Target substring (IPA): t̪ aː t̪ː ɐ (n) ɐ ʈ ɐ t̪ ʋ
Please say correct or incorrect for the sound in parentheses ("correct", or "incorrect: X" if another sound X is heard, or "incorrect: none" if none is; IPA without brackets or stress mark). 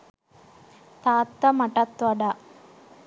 incorrect: m